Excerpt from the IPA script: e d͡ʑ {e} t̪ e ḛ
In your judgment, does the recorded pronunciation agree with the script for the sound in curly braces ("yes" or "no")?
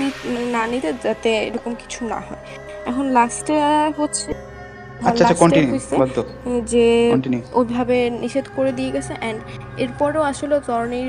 no